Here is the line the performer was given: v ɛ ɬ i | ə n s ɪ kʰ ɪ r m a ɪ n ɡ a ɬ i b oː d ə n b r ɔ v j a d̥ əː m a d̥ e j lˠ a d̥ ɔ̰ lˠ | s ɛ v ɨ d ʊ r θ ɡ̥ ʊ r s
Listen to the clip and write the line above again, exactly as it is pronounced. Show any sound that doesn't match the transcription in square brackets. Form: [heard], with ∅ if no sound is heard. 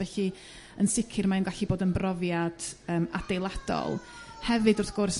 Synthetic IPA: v ɛ ɬ i | ə n s ɪ kʰ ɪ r m a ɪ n ɡ a ɬ i b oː d ə n b r ɔ v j a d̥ əː m a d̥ e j lˠ a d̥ ɔ̰ lˠ | [h] ɛ v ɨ d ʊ r θ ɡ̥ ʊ r s